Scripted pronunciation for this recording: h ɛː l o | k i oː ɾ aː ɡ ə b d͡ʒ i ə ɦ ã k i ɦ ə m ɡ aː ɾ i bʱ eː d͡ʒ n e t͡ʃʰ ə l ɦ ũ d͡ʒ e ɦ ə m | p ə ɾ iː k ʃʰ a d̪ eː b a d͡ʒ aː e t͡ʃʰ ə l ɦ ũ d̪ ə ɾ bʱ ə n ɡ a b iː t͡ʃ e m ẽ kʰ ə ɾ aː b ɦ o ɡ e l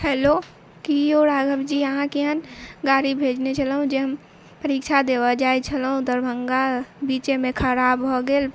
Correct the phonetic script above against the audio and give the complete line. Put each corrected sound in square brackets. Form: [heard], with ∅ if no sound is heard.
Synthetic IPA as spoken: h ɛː l o | k i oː ɾ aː ɡ ə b d͡ʒ i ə ɦ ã k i ɦ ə [n] ɡ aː ɾ i bʱ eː d͡ʒ n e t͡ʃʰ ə l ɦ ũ d͡ʒ e ɦ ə m | p ə ɾ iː k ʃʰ a d̪ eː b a d͡ʒ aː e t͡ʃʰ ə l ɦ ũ d̪ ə ɾ bʱ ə [ŋ] ɡ a b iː t͡ʃ e m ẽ kʰ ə ɾ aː b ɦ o ɡ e l